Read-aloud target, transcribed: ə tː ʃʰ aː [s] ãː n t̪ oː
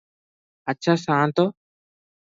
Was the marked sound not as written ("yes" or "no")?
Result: no